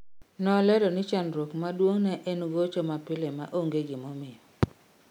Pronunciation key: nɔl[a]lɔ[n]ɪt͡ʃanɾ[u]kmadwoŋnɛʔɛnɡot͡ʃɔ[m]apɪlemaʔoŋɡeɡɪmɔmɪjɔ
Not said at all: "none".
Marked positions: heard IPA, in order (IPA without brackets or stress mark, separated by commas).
ɛ, n, o, m